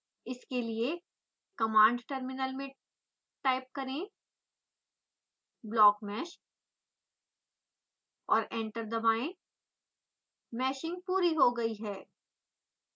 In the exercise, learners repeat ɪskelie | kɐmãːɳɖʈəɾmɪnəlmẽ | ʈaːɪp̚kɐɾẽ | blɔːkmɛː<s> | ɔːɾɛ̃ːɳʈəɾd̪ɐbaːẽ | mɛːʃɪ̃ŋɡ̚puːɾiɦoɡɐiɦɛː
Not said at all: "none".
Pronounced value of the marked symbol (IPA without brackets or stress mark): ʃ